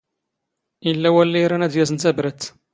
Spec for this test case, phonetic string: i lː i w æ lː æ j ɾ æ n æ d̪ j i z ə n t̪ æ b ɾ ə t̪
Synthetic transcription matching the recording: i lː æ w æ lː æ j ɾ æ n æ d̪ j æ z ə n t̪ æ b ɾ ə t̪